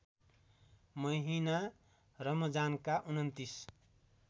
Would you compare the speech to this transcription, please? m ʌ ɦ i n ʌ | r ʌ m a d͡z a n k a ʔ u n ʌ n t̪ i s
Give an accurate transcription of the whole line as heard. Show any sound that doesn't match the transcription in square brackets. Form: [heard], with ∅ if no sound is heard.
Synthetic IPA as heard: m ʌ ɦ i n [a] | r ʌ m [ʌ] d͡z a n k a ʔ u n ʌ n t̪ i s

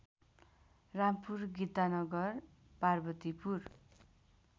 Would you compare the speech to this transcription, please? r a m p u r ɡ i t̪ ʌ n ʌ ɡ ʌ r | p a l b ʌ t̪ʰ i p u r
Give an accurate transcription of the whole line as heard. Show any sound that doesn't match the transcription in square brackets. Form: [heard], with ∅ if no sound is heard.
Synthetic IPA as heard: r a m p u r ɡ i t̪ [a] n ʌ ɡ ʌ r | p a [r] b ʌ [t̪] i p u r

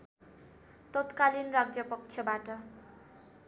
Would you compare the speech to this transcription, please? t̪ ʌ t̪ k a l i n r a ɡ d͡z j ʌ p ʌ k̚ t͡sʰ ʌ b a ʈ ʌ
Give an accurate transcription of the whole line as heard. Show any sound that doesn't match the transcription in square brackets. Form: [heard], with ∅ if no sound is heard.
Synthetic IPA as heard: t̪ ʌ t̪ k a l i n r a ɡ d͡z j ʌ p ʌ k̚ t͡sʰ ʌ b a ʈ ʌ

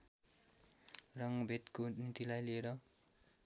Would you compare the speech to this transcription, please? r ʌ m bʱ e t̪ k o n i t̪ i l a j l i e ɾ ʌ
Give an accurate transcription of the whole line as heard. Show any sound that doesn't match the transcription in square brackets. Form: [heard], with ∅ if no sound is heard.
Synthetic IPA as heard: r ʌ [ŋ] bʱ e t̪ k o n i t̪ i l a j l i e ɾ ʌ

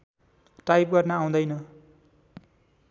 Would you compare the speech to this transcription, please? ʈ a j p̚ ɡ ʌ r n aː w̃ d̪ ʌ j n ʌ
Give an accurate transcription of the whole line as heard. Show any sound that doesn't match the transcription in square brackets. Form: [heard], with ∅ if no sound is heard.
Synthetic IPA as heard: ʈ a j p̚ ɡ ʌ r n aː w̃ d̪ ʌ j n ʌ

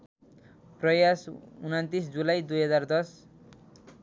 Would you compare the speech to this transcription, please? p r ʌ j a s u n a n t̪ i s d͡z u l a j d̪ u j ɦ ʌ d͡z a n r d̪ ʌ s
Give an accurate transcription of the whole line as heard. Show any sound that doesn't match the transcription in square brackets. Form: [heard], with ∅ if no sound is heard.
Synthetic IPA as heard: p r ʌ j a s u n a n t̪ i s d͡z u l a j d̪ u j ɦ ʌ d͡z a [∅] r d̪ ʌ s

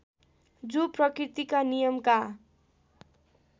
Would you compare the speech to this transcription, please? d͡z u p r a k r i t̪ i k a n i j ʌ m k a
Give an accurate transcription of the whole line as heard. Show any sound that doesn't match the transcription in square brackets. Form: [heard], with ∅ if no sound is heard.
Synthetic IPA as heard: d͡z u p r [ʌ] k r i t̪ i k a n i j ʌ m k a

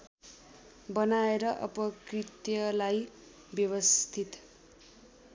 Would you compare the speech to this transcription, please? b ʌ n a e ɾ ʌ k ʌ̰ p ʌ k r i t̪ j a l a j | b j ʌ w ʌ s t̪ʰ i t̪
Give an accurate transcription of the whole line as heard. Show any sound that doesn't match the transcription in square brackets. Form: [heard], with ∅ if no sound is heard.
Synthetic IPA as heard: b ʌ n a e ɾ ʌ [ʔ] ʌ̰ p ʌ k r i t̪ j [ʌ] l a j | b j ʌ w ʌ s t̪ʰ i t̪

